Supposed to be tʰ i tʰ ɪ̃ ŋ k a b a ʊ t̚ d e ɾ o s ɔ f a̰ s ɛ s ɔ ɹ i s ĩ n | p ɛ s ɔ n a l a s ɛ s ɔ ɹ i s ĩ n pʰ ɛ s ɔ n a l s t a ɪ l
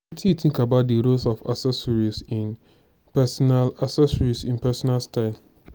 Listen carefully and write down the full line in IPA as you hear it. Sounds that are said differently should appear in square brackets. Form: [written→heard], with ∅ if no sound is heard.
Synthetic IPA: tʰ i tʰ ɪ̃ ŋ k a b a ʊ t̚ d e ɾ o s ɔ f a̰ s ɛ s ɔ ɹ i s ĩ n | p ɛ s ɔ n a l a s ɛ s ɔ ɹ i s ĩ n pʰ ɛ s ɔ n a l s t a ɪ l